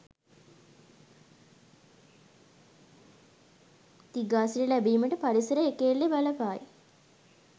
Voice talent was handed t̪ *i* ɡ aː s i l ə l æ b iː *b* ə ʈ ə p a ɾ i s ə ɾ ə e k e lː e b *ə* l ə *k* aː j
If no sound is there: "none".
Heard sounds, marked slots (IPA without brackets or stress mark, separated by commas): i, m, a, p